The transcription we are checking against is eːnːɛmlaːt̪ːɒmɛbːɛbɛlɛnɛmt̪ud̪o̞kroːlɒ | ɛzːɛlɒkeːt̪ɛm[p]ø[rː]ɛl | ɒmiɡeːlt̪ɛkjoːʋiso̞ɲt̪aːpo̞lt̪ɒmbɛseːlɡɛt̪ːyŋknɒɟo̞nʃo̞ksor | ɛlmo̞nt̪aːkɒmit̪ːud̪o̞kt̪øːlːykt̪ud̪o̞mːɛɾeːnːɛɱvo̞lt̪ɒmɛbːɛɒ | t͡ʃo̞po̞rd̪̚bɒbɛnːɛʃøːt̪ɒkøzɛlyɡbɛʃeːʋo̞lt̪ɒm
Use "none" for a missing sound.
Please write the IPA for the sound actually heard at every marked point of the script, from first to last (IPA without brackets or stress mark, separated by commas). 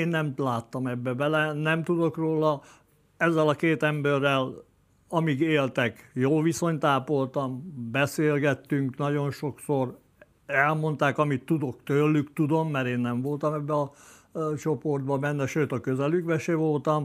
b, rː